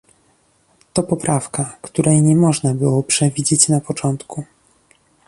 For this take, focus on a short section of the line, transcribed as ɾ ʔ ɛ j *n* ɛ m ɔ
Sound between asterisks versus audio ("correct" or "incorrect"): incorrect